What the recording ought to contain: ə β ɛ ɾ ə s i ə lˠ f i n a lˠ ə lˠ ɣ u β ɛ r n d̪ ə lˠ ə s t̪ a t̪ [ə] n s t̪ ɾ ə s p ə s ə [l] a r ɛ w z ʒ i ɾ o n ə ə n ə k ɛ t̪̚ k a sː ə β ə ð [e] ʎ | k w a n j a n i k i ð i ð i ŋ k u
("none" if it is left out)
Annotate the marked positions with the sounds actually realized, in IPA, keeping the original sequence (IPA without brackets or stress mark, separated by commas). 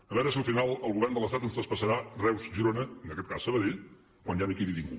ə, ɾ, e